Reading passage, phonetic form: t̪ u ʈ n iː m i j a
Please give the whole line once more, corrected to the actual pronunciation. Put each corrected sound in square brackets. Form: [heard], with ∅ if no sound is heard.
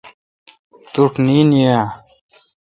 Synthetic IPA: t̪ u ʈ n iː [n] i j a